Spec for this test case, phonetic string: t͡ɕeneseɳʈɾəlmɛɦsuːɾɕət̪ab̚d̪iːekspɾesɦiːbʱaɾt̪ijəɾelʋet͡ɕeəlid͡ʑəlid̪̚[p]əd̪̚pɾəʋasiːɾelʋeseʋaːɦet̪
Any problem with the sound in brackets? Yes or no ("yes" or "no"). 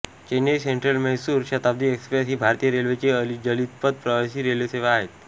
no